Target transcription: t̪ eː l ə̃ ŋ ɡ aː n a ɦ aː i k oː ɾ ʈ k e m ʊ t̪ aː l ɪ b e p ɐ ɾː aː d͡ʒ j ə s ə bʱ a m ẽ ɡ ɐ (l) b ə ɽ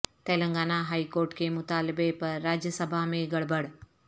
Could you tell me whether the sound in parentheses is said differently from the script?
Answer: yes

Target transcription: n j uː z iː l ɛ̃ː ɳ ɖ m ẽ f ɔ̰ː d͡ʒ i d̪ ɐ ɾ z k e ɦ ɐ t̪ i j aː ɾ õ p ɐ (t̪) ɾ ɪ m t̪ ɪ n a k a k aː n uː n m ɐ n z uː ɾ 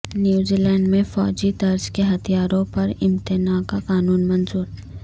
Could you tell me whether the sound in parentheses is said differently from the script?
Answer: yes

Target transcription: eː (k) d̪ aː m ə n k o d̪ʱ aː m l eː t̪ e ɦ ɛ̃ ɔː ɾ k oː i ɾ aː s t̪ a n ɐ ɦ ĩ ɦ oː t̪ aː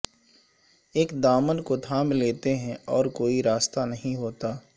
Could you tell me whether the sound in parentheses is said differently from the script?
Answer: no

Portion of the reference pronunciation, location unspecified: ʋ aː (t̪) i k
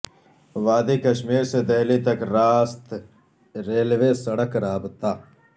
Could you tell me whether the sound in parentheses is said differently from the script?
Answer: yes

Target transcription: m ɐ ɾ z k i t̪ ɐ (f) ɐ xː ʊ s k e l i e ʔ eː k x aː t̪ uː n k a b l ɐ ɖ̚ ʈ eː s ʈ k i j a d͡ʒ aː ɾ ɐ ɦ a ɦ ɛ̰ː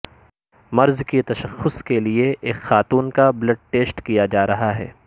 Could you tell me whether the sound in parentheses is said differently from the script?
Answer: yes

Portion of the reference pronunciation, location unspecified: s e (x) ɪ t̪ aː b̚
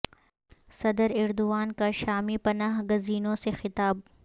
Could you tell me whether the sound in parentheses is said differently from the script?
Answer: no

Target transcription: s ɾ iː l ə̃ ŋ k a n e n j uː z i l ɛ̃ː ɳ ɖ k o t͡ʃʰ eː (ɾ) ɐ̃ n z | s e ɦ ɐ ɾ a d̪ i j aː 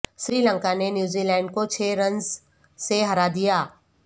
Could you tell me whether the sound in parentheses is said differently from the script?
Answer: no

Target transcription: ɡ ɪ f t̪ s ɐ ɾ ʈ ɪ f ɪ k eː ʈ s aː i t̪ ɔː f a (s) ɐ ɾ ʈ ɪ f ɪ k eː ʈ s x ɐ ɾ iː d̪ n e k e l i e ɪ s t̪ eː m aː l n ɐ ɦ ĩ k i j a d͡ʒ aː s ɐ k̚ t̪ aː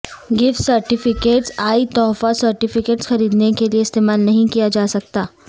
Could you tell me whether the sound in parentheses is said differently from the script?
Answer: no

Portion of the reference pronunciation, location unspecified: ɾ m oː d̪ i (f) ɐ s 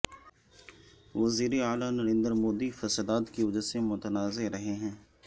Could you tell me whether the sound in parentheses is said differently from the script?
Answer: no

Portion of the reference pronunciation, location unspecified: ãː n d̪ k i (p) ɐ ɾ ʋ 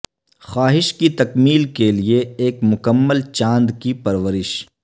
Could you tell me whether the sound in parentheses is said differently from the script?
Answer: no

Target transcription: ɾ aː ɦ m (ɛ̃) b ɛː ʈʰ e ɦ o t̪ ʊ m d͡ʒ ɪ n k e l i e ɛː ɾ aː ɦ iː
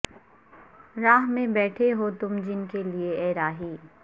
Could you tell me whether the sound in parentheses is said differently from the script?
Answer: yes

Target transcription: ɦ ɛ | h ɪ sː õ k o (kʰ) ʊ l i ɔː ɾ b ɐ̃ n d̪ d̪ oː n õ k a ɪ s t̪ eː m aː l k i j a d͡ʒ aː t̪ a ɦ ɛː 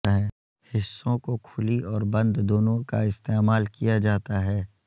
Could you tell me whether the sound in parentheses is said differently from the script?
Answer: no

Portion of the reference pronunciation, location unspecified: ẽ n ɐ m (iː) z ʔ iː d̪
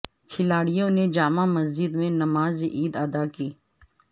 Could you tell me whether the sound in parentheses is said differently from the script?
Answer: yes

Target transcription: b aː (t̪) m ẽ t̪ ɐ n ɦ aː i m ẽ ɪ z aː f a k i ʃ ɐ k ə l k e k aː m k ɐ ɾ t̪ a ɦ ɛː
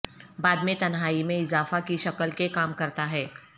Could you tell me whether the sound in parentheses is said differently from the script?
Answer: yes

